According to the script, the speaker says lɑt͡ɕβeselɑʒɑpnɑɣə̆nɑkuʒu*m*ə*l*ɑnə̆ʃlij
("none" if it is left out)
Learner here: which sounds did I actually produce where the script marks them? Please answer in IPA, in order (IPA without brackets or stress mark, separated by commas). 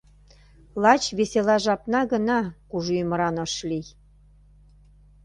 m, ɾ